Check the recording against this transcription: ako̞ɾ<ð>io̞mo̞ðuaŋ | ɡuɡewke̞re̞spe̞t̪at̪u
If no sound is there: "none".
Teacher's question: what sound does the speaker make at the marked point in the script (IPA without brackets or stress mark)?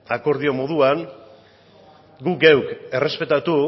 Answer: ð